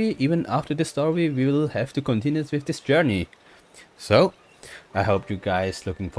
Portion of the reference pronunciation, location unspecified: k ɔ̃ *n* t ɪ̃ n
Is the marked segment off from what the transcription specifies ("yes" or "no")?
no